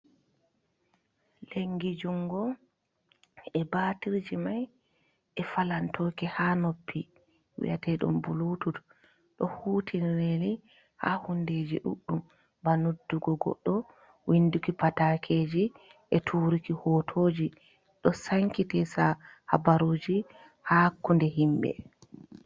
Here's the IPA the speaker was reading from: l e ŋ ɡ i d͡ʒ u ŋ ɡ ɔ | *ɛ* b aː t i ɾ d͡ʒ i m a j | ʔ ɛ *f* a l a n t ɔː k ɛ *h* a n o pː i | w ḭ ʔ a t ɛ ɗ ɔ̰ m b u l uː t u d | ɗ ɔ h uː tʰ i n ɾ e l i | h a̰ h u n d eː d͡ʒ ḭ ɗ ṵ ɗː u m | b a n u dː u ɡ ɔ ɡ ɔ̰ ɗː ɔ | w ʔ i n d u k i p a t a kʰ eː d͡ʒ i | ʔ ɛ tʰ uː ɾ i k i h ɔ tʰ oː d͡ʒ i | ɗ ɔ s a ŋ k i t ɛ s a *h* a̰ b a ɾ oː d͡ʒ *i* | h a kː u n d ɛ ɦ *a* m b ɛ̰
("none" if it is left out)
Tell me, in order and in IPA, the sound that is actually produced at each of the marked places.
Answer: ɛ, f, h, h, i, i

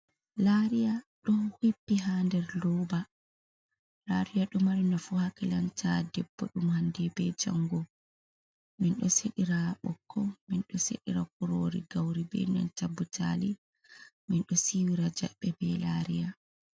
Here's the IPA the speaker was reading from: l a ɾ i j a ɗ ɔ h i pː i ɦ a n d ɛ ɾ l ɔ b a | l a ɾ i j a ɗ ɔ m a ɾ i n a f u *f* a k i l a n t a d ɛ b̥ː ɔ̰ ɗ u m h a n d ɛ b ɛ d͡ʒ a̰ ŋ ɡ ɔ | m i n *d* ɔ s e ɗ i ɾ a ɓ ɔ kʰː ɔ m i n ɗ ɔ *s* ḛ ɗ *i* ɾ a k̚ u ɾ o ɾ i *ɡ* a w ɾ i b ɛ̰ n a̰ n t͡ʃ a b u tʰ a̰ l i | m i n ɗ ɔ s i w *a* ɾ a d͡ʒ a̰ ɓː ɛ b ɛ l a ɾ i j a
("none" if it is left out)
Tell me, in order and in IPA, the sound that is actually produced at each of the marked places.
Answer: h, ɗ, s, i, ɡ, i

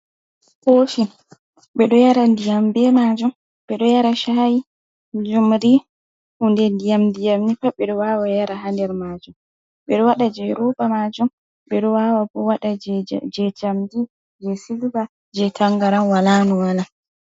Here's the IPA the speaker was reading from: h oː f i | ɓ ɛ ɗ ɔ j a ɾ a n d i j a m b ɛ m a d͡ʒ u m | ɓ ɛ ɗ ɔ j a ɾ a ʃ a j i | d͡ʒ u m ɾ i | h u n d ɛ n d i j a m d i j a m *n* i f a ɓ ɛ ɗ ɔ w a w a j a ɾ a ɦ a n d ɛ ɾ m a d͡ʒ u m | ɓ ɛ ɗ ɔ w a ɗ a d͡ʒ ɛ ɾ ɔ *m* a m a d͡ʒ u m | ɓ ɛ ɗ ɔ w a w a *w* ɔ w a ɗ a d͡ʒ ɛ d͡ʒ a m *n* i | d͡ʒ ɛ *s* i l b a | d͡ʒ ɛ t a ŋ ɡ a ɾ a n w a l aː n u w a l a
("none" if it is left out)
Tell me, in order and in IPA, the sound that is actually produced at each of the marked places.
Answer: n, b, b, d, s

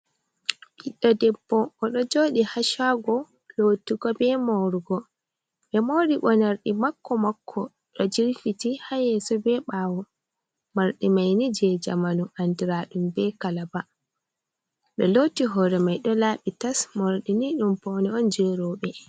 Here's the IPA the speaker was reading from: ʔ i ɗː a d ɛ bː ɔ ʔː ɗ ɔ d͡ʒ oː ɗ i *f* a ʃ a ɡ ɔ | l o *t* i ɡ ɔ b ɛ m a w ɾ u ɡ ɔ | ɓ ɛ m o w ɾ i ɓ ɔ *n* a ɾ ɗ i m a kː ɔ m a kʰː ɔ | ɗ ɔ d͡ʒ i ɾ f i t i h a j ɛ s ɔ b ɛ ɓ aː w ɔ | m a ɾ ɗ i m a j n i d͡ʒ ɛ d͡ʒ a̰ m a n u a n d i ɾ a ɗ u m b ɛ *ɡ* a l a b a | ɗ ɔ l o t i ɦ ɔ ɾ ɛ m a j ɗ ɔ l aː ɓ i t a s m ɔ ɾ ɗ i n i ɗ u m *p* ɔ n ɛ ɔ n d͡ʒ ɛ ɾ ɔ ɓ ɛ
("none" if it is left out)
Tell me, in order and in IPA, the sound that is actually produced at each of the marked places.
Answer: h, t, n, k, p

